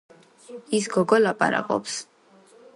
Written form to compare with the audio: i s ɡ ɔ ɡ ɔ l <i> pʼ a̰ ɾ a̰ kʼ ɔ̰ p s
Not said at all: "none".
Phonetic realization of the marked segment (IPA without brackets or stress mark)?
a